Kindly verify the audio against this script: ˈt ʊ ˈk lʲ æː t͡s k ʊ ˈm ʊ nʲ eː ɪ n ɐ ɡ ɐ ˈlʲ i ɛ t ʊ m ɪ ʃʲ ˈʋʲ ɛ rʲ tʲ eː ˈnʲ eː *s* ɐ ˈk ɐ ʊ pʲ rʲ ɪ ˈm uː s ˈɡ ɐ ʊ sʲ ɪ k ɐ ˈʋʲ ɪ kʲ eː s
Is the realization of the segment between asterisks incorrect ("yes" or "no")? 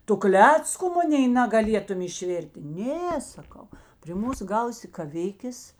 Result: no